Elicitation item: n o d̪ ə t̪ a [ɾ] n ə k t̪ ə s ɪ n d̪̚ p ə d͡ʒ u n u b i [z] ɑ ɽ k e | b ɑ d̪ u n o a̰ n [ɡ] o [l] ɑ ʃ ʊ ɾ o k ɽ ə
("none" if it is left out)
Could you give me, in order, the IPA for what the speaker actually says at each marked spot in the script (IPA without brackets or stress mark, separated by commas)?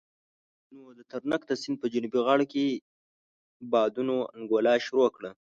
ɾ, ɣ, ɡ, l